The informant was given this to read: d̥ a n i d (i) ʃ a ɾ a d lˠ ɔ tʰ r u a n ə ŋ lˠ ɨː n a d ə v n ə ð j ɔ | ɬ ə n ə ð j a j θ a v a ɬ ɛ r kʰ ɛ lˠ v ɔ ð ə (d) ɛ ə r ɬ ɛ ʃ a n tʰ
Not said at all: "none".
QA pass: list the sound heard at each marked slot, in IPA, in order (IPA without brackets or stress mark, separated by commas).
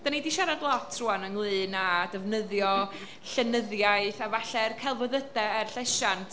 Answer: i, d